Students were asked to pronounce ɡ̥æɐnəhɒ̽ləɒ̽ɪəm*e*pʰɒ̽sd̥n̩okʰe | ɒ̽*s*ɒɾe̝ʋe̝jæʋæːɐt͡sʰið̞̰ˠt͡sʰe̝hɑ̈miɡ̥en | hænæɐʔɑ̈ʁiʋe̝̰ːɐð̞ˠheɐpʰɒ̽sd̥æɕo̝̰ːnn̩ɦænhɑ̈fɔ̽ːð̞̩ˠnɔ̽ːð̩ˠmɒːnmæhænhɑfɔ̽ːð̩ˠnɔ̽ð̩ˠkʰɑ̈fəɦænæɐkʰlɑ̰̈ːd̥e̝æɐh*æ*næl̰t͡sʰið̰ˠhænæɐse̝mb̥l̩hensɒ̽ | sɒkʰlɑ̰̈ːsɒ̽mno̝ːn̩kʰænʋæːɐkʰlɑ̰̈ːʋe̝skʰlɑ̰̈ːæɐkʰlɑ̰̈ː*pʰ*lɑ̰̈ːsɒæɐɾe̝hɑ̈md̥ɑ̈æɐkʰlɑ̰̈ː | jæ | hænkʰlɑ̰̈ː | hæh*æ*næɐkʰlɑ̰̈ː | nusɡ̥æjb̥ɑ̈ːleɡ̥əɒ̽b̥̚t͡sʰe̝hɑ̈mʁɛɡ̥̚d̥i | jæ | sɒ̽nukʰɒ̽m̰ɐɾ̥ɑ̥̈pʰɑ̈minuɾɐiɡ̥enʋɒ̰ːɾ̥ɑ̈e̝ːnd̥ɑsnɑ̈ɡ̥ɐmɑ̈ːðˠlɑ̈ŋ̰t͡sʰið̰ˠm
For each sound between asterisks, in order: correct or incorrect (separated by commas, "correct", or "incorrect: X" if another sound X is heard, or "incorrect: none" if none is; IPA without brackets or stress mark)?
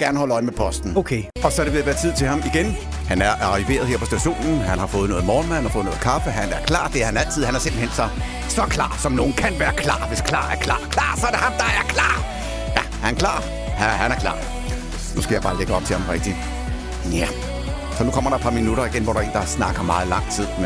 correct, correct, correct, incorrect: kʰ, correct